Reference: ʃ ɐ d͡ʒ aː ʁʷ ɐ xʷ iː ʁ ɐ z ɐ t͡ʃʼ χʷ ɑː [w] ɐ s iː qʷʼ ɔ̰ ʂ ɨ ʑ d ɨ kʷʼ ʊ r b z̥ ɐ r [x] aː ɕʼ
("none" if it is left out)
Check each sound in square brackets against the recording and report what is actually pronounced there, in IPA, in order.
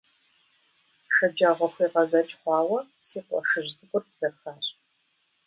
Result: w, x

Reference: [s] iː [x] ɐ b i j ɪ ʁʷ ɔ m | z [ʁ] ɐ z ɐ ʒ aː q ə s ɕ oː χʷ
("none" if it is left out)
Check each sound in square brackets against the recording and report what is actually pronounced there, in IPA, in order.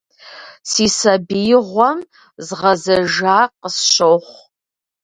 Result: s, s, ʁ

